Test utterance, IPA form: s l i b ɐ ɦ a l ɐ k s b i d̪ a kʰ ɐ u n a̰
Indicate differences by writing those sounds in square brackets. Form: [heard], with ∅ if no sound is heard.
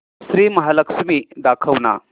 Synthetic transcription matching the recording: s [ɾ] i [m] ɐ ɦ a l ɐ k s [m] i d̪ a kʰ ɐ [w] n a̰